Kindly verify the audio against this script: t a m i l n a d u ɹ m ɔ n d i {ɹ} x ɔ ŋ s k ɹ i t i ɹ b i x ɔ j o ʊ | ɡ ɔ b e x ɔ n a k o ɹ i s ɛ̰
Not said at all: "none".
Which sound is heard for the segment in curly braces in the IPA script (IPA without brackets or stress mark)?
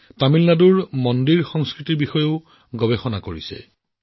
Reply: ɹ